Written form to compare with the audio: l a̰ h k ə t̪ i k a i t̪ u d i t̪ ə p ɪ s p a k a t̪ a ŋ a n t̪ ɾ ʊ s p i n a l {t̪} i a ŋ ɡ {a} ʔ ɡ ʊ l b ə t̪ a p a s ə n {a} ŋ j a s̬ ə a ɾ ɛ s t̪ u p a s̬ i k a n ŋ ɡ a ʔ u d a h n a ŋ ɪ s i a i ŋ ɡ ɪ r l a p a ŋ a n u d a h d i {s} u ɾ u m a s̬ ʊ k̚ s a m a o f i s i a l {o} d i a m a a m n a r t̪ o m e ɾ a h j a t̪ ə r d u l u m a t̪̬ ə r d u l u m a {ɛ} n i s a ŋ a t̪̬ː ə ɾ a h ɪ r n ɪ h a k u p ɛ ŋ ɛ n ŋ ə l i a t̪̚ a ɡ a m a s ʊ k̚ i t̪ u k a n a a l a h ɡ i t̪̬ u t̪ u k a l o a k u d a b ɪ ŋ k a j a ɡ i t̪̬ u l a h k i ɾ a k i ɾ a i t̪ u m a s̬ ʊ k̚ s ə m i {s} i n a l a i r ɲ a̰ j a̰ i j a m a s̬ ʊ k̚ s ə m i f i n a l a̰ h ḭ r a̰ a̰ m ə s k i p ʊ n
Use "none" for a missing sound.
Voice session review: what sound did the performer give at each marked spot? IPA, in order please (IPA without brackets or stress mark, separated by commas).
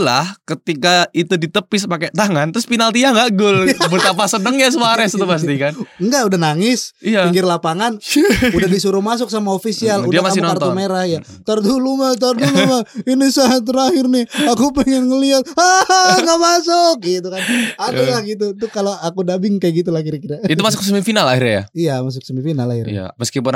t̪, a, ə, s, u, i, f